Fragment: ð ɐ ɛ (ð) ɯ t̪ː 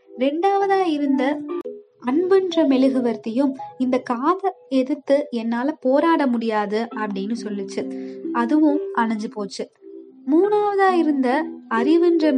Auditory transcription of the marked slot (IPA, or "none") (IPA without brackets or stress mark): ð